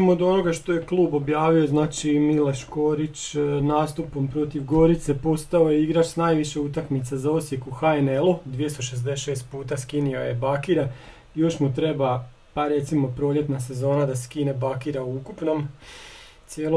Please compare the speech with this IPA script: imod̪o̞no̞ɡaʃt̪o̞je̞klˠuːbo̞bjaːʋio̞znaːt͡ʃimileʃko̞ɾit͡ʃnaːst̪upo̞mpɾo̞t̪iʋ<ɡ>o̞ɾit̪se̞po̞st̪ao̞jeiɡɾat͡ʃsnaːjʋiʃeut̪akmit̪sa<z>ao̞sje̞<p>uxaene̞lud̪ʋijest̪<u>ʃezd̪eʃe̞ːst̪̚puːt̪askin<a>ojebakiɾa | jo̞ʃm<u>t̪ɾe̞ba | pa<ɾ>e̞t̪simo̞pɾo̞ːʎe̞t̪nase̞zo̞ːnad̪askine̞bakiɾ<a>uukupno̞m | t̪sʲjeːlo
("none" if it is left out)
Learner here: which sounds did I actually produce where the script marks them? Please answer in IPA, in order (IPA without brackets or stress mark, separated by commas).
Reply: ɡ, z, k, o, i, u, ɾ, a